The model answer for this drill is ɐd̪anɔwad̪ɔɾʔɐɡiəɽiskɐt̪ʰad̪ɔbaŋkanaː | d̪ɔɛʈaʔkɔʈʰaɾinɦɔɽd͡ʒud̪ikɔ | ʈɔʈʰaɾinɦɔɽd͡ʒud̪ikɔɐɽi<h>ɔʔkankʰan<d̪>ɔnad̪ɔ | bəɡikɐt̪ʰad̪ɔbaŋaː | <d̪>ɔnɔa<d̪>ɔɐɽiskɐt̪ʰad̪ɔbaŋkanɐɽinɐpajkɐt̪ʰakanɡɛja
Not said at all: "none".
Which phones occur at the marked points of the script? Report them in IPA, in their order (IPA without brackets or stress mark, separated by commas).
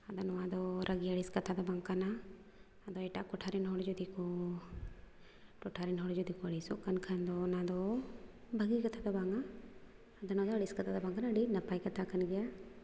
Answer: s, d̪, d̪, d̪